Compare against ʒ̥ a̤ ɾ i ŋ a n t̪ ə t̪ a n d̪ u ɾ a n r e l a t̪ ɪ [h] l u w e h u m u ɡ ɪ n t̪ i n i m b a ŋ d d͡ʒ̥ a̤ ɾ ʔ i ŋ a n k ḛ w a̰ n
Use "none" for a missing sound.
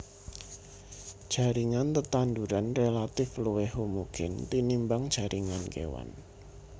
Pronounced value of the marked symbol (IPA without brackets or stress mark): f